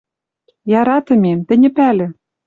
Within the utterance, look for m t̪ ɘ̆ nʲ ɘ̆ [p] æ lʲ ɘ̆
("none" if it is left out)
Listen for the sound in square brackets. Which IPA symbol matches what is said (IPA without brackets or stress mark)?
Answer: p